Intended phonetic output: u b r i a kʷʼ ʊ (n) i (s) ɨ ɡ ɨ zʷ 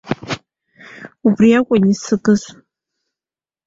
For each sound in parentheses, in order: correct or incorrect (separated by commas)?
correct, correct